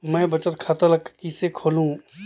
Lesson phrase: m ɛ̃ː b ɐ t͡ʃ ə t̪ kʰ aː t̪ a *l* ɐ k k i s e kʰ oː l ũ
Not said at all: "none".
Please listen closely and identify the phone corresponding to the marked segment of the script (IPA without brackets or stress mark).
l